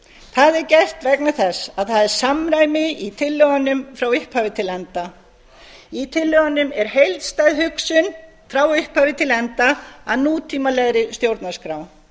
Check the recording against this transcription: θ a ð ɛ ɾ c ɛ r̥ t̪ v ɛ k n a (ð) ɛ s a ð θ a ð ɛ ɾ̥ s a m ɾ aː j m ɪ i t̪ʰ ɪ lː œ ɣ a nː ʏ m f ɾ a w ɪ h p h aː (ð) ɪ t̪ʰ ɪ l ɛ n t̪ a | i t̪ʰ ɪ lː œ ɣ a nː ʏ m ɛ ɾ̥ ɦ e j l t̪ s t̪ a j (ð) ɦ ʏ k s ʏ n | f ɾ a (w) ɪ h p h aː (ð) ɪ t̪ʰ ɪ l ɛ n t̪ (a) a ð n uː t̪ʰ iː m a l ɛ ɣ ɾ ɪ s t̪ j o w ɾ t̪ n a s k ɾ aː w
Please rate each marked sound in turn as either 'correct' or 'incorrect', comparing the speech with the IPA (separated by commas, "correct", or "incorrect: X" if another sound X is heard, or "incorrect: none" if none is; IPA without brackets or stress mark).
incorrect: θ, incorrect: v, correct, correct, incorrect: v, correct